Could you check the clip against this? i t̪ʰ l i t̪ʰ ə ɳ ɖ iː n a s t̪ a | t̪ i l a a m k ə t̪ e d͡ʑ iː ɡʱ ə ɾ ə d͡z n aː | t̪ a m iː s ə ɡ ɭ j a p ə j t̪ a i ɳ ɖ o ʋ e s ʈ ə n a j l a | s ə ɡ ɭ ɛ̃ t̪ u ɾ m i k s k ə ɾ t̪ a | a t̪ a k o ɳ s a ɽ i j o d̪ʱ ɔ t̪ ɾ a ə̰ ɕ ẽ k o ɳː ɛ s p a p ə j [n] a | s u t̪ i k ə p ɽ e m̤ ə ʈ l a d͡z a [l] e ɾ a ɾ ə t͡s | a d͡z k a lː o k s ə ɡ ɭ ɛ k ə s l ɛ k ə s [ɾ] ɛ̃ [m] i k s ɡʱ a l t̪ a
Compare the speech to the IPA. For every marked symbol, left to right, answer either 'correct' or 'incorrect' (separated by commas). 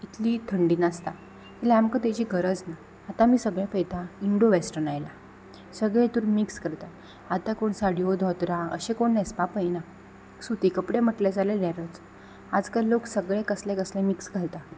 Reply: correct, correct, incorrect, correct